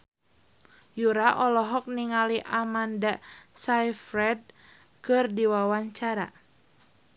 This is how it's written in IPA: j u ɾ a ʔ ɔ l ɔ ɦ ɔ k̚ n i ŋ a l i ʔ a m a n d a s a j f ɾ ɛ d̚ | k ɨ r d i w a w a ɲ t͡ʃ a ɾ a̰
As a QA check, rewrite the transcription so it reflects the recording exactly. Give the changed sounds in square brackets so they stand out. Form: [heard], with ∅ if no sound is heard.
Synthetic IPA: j u ɾ a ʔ ɔ l ɔ ɦ ɔ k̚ n i ŋ a l i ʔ a m a n d a s a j f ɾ ɛ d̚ | k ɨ r d i w a w a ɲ t͡ʃ a ɾ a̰